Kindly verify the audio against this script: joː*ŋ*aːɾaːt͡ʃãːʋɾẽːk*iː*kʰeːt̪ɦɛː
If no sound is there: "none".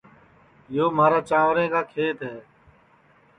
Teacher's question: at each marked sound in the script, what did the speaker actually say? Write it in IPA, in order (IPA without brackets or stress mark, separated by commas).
m, aː